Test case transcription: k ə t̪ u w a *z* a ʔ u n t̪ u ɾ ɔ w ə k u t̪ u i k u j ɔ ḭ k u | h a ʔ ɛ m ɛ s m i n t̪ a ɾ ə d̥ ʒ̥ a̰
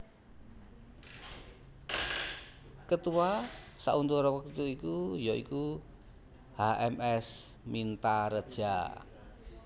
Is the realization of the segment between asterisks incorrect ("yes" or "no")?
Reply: yes